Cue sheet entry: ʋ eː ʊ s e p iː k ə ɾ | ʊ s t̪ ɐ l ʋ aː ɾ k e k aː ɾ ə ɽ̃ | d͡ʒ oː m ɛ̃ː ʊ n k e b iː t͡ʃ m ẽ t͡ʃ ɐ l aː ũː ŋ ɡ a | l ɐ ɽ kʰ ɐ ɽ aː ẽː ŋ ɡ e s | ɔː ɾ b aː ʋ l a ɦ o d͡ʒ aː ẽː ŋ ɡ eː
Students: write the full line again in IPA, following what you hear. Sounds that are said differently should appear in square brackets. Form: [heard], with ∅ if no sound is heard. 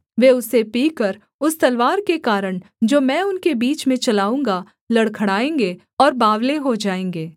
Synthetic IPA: ʋ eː ʊ s e p iː k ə ɾ | ʊ s t̪ ɐ l ʋ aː ɾ k e k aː ɾ ə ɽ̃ | d͡ʒ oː m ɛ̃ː ʊ n k e b iː t͡ʃ m ẽ t͡ʃ ɐ l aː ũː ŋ ɡ a | l ɐ ɽ kʰ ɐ ɽ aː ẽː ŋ ɡ e [∅] | ɔː ɾ b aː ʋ l [e] ɦ o d͡ʒ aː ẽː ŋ ɡ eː